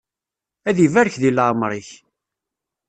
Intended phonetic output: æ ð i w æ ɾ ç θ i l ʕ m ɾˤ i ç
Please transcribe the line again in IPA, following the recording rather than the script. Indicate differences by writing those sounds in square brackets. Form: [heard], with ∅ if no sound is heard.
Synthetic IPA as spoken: æ ð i [v] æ ɾ ç [ð] i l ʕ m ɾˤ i ç